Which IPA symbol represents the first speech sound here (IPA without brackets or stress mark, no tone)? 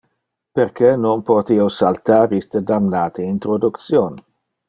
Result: p